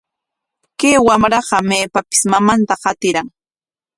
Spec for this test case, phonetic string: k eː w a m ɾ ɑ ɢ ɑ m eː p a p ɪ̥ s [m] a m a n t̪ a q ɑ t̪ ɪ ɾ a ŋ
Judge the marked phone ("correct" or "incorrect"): correct